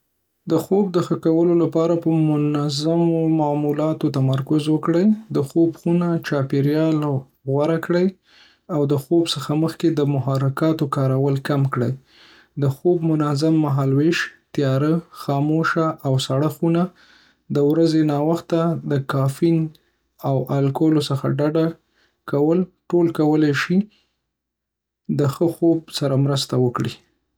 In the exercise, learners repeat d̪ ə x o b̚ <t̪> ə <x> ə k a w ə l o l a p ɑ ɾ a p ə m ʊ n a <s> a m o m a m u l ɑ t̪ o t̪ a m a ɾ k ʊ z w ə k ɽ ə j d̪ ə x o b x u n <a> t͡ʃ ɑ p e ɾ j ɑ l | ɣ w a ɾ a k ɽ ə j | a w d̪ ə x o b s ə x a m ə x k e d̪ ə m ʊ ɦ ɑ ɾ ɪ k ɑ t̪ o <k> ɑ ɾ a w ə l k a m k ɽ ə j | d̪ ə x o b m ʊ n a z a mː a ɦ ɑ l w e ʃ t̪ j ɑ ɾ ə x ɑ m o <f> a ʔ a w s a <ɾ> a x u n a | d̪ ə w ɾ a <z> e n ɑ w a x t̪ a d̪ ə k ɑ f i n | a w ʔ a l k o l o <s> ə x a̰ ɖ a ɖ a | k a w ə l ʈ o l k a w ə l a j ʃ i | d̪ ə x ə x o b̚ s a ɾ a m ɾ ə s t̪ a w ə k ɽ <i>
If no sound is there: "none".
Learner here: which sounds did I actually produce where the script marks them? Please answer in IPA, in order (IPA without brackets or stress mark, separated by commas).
d̪, x, z, a, k, ʃ, ɽ, z, s, i